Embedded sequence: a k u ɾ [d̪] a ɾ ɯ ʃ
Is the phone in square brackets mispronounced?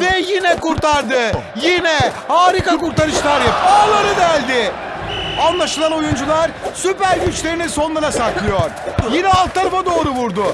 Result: yes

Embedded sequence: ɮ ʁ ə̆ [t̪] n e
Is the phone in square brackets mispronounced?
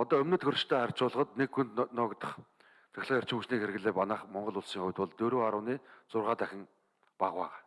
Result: no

